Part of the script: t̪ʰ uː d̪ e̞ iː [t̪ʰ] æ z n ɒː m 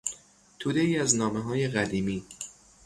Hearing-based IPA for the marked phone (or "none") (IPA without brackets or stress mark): none